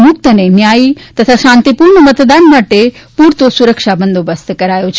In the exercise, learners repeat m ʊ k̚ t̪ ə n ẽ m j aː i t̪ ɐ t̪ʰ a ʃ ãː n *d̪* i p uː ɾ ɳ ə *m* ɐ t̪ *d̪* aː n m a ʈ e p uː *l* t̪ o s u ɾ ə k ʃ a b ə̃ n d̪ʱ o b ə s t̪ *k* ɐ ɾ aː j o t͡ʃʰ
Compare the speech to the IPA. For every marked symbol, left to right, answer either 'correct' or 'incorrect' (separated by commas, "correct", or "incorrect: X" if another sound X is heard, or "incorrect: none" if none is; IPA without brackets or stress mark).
incorrect: t̪, correct, correct, incorrect: ɾ, correct